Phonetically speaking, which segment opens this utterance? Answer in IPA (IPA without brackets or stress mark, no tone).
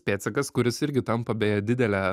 pʲ